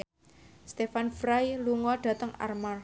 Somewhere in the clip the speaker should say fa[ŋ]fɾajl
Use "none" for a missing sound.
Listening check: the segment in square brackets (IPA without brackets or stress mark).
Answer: n